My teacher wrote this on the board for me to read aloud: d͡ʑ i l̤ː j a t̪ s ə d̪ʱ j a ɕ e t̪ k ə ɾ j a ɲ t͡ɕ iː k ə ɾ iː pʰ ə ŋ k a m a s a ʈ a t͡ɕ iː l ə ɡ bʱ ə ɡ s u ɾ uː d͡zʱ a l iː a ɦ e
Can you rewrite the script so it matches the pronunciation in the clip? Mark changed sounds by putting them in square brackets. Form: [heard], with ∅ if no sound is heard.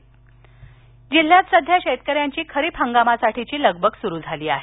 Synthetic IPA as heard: d͡ʑ i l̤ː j a t̪ s ə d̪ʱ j a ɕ e t̪ k ə ɾ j a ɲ t͡ɕ iː [kʰ] ə ɾ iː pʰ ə ŋ [ɡ] a m a s a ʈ [i] t͡ɕ iː l ə ɡ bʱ ə ɡ s u ɾ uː d͡zʱ a l iː a ɦ e